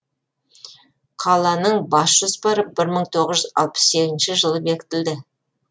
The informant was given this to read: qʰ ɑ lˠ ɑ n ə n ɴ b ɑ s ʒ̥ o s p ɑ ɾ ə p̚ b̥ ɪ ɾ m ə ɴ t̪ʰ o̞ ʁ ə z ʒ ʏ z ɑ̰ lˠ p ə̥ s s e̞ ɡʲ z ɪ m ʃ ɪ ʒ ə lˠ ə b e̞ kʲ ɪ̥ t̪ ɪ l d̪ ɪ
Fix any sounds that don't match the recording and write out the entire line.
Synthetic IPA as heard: qʰ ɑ lˠ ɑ n ə ɴ b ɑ s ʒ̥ o s p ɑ ɾ ə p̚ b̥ ɪ ɾ m ə ɴ t̪ʰ o̞ ʁ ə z ʒ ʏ z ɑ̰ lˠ p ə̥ s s e̞ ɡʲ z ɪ n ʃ ɪ ʒ ə lˠ ə b e̞ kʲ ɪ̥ t̪ ɪ l d̪ ɪ